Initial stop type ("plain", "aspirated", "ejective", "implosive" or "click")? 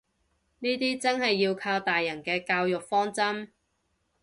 plain